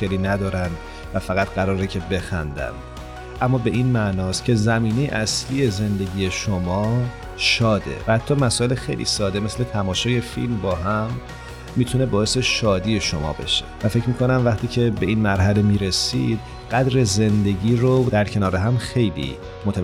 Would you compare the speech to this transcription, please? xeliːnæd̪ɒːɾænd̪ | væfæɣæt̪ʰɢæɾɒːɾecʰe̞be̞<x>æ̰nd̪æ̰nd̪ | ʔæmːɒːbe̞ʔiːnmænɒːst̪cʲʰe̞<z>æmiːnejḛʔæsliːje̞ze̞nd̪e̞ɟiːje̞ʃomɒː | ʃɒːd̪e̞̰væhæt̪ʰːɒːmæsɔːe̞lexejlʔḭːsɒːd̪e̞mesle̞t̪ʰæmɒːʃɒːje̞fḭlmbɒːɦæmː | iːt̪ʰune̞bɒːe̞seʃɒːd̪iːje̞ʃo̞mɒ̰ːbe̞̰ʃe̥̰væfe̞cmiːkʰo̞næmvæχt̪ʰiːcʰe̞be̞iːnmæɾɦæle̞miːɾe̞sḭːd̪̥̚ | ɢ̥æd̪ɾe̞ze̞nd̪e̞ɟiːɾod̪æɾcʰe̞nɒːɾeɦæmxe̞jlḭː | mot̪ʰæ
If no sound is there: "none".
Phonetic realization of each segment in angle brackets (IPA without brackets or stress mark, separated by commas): x, z